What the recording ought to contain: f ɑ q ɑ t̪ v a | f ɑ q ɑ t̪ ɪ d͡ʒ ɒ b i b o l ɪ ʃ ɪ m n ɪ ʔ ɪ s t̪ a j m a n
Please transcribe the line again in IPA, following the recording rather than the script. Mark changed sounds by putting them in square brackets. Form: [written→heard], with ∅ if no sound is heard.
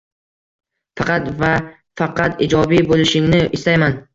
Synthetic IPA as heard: f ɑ q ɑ t̪ v a | f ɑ q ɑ t̪ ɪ d͡ʒ ɒ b i b o l ɪ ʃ ɪ [m→ŋ] n ɪ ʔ ɪ s t̪ a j m a n